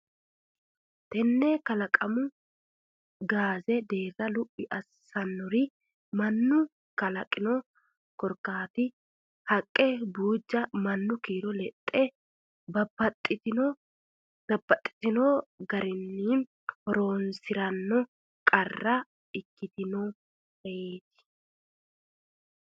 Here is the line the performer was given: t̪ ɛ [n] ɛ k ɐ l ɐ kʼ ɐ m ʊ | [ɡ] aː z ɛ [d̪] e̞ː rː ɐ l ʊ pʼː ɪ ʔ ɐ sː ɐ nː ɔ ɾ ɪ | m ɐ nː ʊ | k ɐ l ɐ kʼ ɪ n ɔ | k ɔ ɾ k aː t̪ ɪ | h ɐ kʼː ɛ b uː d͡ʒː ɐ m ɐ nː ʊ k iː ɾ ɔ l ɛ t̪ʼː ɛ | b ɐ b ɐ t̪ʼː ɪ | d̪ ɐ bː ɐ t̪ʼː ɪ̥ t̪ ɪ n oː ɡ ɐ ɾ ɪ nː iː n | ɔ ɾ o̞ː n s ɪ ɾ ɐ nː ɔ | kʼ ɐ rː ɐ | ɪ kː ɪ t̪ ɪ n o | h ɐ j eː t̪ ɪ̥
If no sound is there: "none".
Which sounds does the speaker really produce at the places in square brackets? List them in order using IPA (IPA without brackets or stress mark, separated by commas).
nː, ɡ, d̪